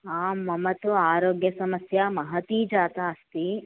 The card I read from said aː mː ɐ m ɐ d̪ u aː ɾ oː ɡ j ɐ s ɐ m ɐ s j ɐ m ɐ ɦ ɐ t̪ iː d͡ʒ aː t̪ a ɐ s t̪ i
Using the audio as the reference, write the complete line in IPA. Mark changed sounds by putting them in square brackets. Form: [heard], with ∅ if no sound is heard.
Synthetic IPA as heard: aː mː ɐ m ɐ [t̪] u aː ɾ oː ɡ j ɐ s ɐ m ɐ s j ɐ m ɐ ɦ ɐ t̪ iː d͡ʒ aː t̪ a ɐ s t̪ i